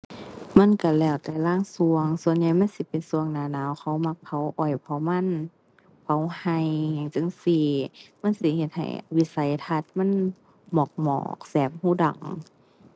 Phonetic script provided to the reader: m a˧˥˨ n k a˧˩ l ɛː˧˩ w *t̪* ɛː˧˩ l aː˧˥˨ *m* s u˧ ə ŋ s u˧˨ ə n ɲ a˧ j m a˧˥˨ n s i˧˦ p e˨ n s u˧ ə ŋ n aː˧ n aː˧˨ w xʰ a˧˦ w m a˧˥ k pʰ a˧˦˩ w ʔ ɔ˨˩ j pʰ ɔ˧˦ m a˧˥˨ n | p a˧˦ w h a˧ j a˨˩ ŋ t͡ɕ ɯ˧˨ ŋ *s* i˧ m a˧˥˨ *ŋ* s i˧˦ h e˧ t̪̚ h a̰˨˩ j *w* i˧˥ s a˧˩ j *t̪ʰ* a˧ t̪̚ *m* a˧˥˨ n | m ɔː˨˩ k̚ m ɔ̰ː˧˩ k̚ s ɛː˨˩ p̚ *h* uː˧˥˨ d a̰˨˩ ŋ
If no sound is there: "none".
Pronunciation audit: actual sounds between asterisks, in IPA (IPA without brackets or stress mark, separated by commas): t̪, ŋ, s, n, w, t̪ʰ, m, h